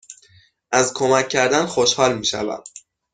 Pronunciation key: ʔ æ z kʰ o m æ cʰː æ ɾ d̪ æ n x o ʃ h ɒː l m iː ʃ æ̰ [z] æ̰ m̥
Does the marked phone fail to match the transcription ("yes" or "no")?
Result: yes